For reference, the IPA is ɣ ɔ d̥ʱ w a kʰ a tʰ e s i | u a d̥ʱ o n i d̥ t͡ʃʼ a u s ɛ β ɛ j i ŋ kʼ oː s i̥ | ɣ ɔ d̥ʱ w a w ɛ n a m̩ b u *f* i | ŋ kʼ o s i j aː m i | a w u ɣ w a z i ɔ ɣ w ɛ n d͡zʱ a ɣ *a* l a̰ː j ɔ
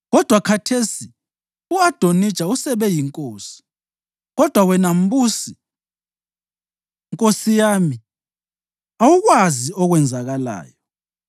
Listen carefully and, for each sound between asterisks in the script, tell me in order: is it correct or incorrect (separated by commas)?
incorrect, correct